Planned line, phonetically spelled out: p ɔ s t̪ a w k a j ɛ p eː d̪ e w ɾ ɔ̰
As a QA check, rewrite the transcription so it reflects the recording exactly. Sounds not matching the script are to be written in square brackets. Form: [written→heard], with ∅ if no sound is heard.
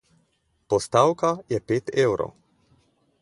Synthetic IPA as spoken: p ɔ s t̪ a w k a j ɛ p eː [d̪→t̪] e w ɾ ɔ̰